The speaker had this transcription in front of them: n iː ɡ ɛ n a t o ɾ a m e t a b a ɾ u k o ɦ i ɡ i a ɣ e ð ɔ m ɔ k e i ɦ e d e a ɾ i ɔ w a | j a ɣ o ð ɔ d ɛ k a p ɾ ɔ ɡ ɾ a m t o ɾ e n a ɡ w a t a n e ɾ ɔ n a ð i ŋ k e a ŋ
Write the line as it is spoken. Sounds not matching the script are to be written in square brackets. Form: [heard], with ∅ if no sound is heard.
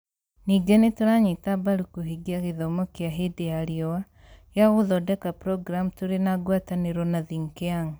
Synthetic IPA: n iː ɡ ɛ n [e] t o ɾ a [ɲ] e t a b a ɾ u k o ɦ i ɡ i a ɣ e ð ɔ m ɔ k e [a] ɦ e d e a ɾ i ɔ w a | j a ɣ o ð ɔ d ɛ k a p ɾ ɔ ɡ ɾ a m t o ɾ e n a ɡ w a t a n e ɾ ɔ n a ð i ŋ k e a ŋ